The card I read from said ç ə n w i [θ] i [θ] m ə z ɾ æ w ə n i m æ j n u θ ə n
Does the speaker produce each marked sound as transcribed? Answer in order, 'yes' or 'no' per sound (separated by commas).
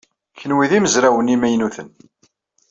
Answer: no, no